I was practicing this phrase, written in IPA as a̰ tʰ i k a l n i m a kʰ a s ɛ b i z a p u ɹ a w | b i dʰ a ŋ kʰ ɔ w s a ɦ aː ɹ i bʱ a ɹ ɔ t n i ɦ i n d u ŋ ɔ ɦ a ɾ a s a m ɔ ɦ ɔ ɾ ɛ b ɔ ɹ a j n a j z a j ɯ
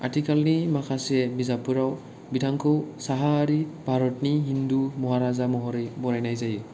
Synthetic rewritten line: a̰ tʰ i k a l n i m a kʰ a s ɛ b i z a p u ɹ a w | b i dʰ a ŋ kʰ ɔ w s a ɦ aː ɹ i bʱ a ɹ ɔ t n i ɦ i n d u m ɔ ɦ a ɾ a z a m ɔ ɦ ɔ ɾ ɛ b ɔ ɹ a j n a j z a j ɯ